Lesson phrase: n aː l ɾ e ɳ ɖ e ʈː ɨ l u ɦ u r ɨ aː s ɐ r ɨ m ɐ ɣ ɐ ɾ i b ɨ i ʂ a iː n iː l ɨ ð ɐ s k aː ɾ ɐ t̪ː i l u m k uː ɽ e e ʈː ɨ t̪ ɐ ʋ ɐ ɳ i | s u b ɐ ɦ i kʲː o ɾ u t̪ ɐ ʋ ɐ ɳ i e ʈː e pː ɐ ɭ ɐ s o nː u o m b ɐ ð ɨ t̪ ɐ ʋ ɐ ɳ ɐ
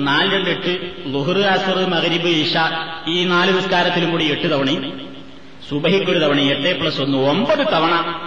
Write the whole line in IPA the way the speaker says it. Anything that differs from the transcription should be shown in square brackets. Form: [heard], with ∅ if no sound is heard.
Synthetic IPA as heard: n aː l ɾ e ɳ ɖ e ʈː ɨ l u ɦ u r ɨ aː s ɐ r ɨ m ɐ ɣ ɐ ɾ i b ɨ i ʂ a iː n [aː] l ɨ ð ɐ s k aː ɾ ɐ t̪ː i l u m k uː ɽ [i] e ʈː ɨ t̪ ɐ ʋ ɐ ɳ i | s u b ɐ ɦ i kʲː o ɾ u t̪ ɐ ʋ ɐ ɳ i e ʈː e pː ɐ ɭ ɐ s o nː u o m b ɐ ð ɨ t̪ ɐ ʋ ɐ ɳ ɐ